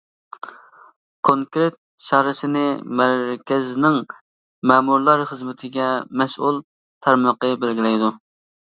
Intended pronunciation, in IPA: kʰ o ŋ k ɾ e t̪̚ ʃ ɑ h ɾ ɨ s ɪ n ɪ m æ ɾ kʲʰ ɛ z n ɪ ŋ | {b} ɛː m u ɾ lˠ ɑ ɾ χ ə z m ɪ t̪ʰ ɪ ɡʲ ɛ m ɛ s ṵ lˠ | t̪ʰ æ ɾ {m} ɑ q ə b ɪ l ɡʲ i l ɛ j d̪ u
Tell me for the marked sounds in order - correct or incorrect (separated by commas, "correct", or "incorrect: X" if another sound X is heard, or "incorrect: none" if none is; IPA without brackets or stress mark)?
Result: incorrect: m, correct